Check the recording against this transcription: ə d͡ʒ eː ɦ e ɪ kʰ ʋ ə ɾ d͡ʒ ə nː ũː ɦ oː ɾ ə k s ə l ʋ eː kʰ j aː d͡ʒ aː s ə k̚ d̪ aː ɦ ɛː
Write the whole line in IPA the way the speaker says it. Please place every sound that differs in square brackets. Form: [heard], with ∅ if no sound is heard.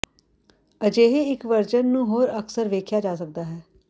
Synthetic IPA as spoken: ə d͡ʒ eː ɦ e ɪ [k] ʋ ə ɾ d͡ʒ ə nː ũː ɦ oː ɾ ə k s ə [ɾ] ʋ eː kʰ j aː d͡ʒ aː s ə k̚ d̪ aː ɦ ɛː